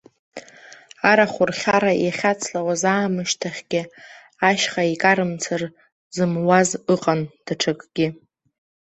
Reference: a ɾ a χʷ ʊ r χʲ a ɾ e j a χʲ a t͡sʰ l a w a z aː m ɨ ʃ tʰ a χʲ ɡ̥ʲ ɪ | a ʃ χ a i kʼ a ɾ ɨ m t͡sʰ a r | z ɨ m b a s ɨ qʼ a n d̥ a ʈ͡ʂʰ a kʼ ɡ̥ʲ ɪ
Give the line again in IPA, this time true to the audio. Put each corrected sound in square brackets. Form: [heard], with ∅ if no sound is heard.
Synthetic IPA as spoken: a ɾ a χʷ ʊ r χʲ a ɾ [a] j a χʲ a t͡sʰ l a w a z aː m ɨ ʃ tʰ a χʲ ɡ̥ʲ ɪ | a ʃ χ a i kʼ a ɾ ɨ m t͡sʰ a r | z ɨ m [w] a [z] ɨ qʼ a n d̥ a ʈ͡ʂʰ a kʼ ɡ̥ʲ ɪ